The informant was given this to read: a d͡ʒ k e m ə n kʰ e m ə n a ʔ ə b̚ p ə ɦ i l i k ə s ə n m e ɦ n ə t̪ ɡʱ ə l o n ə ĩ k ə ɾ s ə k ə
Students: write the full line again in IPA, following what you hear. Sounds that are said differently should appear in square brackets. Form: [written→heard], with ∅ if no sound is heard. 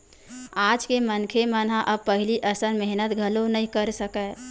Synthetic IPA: a d͡ʒ k e m ə n kʰ e m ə n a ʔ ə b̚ p ə ɦ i l i [k→ʔ] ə s ə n m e ɦ n ə t̪ ɡʱ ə l o n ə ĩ k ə ɾ s ə k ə